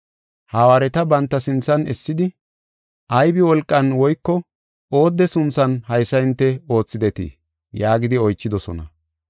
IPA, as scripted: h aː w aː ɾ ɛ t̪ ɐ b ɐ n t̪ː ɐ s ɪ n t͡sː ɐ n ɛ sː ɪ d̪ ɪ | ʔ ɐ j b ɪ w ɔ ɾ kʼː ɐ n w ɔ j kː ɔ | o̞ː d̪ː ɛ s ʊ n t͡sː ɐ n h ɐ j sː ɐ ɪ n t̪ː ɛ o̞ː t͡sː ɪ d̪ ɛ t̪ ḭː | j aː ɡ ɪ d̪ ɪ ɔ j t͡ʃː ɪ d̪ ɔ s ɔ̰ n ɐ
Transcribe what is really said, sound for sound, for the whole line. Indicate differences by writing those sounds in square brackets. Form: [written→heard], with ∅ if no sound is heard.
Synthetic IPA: h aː w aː ɾ ɛ t̪ ɐ b ɐ n t̪ː ɐ s ɪ n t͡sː ɐ n ɛ sː ɪ d̪ ɪ | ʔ ɐ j b ɪ w ɔ [ɾ→l] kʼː ɐ n w ɔ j kː ɔ | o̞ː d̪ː ɛ s ʊ n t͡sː ɐ n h ɐ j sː ɐ ɪ n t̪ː ɛ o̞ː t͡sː ɪ d̪ ɛ t̪ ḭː | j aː ɡ ɪ d̪ ɪ ɔ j t͡ʃː ɪ d̪ ɔ s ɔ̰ n ɐ